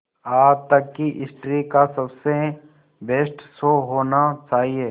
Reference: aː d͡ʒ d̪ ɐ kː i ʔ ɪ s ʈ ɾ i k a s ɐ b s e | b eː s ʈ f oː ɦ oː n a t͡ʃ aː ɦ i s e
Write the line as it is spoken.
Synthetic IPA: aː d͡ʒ t̪ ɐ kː i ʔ ɪ s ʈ ɾ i k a s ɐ b s e | b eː s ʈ s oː ɦ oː n a t͡ʃ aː ɦ i e